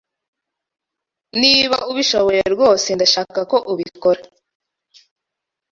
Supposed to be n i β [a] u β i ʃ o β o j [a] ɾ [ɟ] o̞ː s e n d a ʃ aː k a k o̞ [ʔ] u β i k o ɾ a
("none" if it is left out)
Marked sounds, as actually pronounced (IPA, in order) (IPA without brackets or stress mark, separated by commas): a, e, ɡ, ʔ